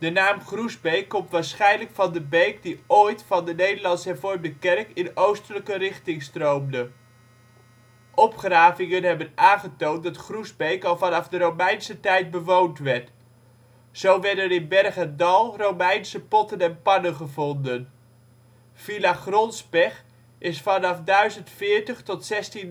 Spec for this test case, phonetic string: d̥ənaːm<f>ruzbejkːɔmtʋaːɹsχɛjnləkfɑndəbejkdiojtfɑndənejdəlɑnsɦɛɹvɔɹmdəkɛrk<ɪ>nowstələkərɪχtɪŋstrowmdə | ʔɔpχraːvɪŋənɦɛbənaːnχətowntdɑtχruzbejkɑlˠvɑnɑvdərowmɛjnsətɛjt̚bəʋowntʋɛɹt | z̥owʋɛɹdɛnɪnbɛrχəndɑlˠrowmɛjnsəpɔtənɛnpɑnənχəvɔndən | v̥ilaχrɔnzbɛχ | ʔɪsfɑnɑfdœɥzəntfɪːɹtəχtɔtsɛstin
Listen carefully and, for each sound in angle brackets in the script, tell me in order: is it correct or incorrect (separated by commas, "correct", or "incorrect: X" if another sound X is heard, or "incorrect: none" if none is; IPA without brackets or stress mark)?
incorrect: χ, correct